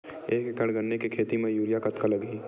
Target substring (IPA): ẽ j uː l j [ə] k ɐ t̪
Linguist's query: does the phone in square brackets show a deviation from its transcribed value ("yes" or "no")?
yes